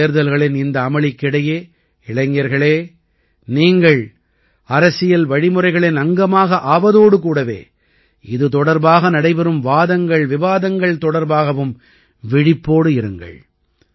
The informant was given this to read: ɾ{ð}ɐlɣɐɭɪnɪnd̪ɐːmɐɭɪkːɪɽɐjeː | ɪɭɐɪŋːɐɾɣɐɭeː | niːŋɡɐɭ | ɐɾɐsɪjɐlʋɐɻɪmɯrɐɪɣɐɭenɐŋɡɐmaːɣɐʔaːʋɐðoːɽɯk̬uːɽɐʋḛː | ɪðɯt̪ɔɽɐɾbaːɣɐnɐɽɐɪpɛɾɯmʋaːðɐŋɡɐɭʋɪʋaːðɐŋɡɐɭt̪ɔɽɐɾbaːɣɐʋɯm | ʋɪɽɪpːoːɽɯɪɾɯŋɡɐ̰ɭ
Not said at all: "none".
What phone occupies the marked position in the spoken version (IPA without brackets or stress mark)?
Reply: ð